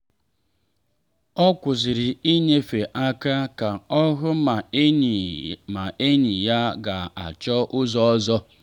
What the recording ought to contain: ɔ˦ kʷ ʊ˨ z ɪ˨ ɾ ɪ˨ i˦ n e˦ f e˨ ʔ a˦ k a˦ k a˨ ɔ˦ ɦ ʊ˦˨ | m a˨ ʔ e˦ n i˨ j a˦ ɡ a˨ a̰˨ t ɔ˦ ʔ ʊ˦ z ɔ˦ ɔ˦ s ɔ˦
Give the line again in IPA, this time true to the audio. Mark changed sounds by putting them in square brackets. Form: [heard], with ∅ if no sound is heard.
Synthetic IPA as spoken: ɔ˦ kʷ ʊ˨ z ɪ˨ ɾ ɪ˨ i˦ [ɲ] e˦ f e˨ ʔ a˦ k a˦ k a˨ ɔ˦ ɦ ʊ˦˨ | m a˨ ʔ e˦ [ɲ] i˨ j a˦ ɡ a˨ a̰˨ [t͡ʃ] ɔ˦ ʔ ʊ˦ z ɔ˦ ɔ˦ [z] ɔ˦